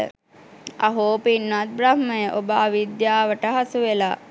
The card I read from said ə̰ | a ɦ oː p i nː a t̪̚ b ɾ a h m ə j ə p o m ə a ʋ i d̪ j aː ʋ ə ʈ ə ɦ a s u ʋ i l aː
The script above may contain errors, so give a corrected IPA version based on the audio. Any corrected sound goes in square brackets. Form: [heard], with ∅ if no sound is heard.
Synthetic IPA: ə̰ | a ɦ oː p i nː a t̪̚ b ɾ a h m ə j ə [ʔ] o [b] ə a ʋ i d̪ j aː ʋ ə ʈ ə ɦ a s u ʋ [e] l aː